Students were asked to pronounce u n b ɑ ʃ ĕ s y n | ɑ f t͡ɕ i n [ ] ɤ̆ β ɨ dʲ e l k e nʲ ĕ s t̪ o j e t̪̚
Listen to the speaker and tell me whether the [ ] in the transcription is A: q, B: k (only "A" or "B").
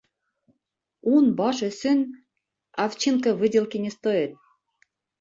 B